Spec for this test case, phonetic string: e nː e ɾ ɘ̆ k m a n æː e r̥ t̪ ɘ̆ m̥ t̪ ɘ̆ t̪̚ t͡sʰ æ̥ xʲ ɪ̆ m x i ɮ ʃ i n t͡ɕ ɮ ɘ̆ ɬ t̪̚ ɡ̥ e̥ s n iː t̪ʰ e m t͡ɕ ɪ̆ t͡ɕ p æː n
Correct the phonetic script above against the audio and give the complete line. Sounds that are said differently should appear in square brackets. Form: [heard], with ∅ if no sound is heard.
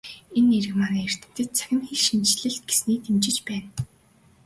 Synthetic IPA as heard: e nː e ɾ ɘ̆ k m a n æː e r̥ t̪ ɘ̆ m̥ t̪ ɘ̆ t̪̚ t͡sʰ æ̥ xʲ ɪ̆ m x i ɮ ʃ i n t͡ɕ ɮ ɘ̆ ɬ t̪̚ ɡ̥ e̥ s n iː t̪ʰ e m t͡ɕ ɪ̆ t͡ɕ p æː n